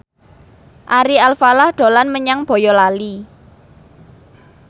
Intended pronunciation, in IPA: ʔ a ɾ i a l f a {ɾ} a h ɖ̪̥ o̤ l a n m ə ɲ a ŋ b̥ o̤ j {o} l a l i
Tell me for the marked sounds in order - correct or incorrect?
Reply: incorrect: l, incorrect: ɔ

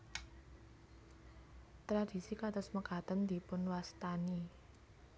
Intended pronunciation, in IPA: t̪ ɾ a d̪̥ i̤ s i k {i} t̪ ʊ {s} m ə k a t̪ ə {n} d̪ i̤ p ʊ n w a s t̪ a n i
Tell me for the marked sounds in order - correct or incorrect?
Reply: incorrect: a, correct, correct

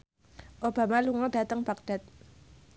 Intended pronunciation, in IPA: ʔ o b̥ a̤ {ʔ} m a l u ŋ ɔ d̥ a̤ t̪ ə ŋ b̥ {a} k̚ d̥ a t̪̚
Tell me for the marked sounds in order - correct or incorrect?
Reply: incorrect: none, correct

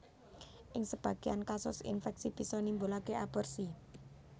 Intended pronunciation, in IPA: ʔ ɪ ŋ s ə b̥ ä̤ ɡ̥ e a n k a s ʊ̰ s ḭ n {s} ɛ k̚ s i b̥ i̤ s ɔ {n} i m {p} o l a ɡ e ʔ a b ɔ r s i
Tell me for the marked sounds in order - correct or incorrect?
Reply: incorrect: f, correct, incorrect: b

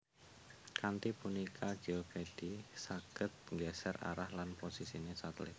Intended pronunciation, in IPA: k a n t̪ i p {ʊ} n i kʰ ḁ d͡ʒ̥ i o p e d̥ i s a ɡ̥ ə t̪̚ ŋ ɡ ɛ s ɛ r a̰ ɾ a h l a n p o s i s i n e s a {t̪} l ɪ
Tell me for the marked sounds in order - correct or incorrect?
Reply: incorrect: u, correct

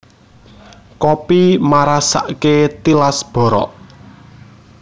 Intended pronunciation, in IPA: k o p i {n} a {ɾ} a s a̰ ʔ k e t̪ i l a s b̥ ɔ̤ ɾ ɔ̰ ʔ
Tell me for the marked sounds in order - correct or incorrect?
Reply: incorrect: m, correct

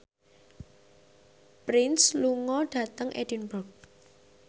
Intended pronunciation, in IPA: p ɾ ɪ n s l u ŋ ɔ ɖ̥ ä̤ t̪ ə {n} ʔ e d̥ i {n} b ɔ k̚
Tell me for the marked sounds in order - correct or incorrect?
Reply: incorrect: ŋ, correct

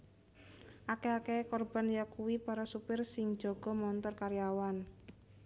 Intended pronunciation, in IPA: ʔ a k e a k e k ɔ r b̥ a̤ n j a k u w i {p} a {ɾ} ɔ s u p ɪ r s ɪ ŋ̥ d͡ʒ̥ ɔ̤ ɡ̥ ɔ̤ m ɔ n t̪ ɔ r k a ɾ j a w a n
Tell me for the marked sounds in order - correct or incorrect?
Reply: correct, correct

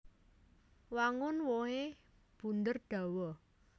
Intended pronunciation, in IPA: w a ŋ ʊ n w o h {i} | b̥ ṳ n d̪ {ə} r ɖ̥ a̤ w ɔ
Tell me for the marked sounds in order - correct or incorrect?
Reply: incorrect: e, correct

